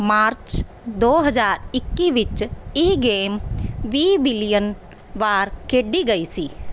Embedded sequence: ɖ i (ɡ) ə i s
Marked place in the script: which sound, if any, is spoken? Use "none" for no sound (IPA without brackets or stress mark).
ɡ